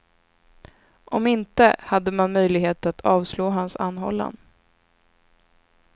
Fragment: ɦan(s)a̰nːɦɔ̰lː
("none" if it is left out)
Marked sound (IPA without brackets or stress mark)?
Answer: s